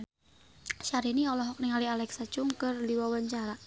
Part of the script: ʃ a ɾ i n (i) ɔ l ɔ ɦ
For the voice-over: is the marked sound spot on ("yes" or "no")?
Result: yes